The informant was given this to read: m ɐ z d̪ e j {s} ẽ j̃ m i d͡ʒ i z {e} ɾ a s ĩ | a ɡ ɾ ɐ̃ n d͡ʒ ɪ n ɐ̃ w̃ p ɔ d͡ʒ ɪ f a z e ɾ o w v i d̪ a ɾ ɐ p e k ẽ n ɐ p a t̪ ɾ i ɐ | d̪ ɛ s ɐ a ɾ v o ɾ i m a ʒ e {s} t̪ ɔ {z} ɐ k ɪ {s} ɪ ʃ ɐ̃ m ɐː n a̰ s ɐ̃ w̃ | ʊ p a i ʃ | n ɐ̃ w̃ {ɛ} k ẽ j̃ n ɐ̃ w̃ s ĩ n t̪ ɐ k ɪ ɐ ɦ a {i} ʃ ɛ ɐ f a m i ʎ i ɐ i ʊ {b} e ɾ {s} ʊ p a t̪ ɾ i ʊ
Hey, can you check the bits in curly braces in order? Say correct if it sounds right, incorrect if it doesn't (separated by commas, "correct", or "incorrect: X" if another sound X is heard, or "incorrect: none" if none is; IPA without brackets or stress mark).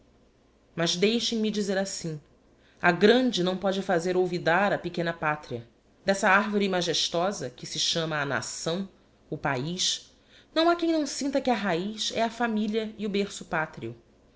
incorrect: ʃ, correct, incorrect: ʃ, correct, correct, incorrect: a, correct, correct, correct